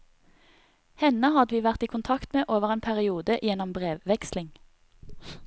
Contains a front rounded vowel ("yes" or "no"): no